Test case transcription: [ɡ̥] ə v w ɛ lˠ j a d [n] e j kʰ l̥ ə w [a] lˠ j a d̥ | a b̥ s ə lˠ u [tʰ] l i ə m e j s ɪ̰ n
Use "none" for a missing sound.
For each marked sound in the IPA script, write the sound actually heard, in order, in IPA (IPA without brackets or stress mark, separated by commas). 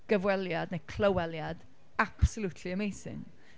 ɡ̥, n, ɛ, tʰ